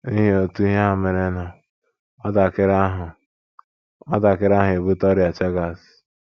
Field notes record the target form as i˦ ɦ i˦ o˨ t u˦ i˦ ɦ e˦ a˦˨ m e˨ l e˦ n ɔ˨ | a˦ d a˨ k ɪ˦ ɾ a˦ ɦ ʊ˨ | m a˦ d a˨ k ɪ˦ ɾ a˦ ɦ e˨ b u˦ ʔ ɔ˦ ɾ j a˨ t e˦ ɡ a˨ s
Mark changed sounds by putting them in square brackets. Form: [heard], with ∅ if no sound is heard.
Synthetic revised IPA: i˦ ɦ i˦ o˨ t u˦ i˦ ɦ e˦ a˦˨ m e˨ [ɾ] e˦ n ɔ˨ | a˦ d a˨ k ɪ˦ ɾ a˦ ɦ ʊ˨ | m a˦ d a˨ k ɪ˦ ɾ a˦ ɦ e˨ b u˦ [t] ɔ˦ ɾ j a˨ [t͡ʃ] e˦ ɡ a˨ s